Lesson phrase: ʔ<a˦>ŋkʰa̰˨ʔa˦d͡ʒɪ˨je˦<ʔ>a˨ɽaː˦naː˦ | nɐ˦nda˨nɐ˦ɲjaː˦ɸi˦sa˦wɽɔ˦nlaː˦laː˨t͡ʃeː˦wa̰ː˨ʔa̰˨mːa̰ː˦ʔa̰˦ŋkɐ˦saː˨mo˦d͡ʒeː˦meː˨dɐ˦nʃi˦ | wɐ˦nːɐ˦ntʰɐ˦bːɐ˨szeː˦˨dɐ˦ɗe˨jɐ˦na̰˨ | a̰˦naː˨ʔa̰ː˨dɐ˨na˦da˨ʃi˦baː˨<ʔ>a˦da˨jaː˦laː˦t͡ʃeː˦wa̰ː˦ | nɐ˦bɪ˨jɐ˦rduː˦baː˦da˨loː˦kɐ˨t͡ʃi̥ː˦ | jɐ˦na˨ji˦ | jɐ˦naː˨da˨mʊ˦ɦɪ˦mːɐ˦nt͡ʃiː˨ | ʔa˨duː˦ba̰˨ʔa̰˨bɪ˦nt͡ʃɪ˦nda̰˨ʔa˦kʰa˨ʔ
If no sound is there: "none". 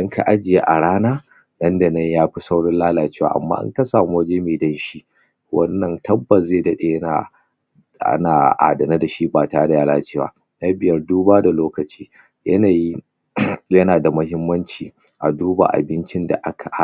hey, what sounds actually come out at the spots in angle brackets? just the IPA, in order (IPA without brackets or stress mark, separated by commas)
ɐ˦, ʔ, t